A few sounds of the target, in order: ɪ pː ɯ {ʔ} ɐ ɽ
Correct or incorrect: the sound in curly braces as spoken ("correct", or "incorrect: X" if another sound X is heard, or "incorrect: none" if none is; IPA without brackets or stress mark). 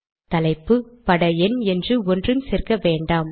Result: incorrect: p